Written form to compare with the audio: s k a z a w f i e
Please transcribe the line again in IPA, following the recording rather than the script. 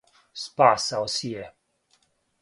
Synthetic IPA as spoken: s p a s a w s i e

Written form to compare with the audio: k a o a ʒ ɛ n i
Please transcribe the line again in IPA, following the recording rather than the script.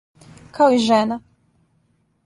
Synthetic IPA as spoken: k a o i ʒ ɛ n a

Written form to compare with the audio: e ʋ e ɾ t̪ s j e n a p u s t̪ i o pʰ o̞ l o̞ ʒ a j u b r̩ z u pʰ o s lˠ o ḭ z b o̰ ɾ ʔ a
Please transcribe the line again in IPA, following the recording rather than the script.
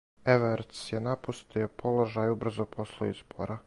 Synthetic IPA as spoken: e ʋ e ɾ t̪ s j e n a p u s t̪ i o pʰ o̞ l o̞ ʒ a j u b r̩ z o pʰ o s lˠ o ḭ z b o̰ ɾ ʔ a

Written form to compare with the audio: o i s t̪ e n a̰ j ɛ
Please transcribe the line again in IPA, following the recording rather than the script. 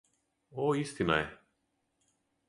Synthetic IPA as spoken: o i s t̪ i n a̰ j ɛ

